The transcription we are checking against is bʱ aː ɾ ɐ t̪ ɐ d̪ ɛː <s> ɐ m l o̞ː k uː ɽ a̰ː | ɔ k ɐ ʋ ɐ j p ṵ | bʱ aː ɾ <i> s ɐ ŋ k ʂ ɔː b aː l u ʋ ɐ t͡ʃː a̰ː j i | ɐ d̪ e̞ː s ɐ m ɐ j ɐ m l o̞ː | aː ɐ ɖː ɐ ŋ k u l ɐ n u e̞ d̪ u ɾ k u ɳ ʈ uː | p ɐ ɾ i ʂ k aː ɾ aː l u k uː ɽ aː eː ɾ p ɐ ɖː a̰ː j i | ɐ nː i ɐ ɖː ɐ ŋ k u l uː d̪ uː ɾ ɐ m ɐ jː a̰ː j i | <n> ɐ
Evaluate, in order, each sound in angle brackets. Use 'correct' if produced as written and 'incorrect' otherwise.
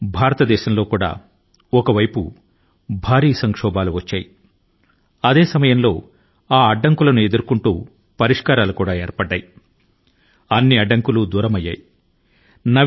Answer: incorrect: ʃ, incorrect: iː, correct

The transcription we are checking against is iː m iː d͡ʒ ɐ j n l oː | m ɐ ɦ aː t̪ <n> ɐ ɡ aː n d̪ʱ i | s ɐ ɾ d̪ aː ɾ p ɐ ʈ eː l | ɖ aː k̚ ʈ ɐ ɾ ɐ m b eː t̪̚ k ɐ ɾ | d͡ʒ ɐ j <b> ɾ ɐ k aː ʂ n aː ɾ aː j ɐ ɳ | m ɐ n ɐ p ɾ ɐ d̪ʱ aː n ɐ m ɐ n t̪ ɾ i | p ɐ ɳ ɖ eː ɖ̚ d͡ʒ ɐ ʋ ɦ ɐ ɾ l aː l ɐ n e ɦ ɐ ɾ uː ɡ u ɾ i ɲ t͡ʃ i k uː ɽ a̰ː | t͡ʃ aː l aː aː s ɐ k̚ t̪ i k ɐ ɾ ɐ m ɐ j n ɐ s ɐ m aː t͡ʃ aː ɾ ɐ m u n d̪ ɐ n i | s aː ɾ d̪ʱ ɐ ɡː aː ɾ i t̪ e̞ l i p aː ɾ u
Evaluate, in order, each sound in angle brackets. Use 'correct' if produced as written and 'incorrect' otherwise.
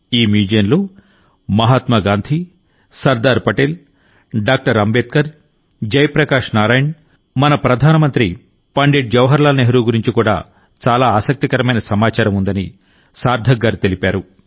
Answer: incorrect: m, incorrect: p

